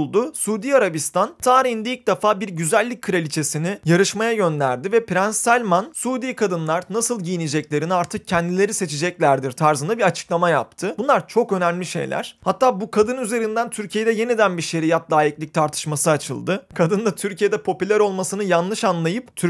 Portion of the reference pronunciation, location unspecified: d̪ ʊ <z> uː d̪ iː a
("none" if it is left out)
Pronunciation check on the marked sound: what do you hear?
s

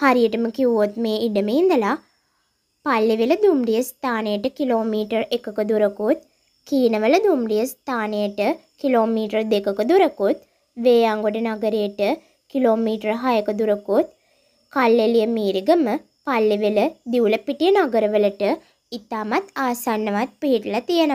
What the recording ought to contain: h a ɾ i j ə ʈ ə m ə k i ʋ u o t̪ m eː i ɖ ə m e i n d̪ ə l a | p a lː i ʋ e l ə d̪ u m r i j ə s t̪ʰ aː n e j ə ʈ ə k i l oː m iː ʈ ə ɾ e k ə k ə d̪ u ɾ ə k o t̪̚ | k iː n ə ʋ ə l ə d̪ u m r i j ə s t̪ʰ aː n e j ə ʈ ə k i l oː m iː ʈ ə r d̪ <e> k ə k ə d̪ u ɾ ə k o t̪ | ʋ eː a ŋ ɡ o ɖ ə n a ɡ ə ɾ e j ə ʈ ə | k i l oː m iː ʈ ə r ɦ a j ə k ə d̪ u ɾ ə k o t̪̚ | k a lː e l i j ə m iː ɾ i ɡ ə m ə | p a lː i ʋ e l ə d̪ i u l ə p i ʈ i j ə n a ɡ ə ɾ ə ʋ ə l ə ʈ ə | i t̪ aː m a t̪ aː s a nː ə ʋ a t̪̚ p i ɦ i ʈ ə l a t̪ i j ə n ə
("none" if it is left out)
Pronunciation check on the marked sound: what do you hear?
e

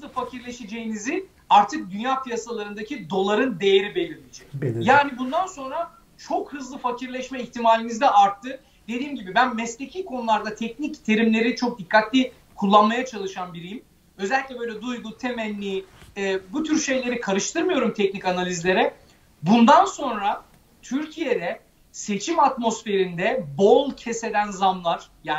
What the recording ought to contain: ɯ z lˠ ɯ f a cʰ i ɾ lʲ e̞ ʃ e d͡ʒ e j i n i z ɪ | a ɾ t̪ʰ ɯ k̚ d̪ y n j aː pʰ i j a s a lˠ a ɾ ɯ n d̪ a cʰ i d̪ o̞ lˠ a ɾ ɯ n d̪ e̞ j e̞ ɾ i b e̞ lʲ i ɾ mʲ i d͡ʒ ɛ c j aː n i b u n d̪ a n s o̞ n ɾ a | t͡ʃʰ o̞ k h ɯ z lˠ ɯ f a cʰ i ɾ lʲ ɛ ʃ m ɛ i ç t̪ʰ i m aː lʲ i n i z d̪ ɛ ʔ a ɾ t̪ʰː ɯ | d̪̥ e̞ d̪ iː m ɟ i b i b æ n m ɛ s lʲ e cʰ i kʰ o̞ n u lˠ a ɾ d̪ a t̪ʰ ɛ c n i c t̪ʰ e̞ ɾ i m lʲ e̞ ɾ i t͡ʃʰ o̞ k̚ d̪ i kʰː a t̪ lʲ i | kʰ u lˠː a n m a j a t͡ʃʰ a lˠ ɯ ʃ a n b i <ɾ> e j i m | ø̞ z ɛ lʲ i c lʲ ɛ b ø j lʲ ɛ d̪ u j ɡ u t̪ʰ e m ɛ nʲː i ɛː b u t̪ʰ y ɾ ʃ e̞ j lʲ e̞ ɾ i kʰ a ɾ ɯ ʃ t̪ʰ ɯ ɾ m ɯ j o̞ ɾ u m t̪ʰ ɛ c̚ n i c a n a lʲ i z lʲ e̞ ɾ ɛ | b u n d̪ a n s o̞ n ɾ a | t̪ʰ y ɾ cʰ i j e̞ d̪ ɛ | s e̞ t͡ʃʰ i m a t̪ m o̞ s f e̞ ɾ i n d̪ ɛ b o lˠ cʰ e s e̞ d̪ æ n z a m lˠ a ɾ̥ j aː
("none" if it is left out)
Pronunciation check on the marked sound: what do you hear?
ɾ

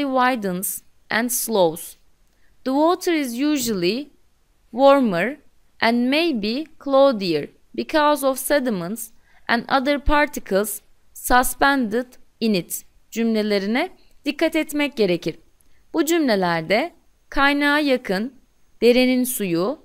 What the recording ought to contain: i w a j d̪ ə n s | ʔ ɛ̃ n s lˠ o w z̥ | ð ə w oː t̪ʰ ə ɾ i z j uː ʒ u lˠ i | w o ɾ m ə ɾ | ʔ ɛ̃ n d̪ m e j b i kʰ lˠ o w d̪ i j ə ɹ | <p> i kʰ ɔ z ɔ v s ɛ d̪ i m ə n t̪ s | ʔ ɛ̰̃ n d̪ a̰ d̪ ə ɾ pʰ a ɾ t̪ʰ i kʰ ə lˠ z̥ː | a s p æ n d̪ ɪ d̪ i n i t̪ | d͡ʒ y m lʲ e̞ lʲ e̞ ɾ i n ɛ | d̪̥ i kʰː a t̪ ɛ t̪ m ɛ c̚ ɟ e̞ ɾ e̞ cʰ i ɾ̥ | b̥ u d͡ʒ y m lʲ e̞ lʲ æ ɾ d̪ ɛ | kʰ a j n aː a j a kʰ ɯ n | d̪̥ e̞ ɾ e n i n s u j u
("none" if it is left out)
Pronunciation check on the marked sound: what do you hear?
b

